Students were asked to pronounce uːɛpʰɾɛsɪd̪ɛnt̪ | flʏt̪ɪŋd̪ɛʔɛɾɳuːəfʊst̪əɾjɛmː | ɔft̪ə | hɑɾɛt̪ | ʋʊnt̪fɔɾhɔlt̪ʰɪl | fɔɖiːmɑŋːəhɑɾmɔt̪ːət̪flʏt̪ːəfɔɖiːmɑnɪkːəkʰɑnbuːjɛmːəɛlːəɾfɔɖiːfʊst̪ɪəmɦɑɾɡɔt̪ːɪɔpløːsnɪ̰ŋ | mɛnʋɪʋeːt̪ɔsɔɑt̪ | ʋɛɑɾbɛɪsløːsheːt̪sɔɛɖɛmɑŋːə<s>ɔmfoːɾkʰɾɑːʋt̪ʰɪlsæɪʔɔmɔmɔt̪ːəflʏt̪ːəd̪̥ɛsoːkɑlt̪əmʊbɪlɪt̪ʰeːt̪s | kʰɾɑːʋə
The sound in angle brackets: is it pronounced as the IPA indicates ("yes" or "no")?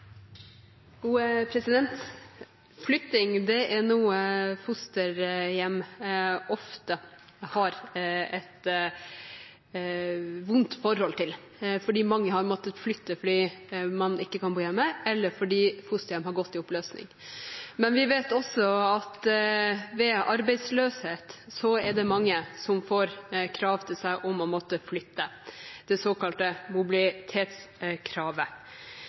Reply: yes